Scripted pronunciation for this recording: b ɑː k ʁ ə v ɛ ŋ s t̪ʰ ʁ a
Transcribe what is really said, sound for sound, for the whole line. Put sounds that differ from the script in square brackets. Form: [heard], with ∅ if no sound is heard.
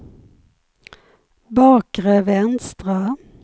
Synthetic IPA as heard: b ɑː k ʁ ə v ɛ [n] s [t̪] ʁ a